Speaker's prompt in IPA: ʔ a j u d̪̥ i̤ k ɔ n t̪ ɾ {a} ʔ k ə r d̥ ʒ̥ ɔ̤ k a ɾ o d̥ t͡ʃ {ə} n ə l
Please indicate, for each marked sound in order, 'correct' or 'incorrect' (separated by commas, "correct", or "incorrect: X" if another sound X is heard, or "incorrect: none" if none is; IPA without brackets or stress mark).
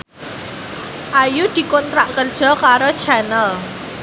correct, incorrect: a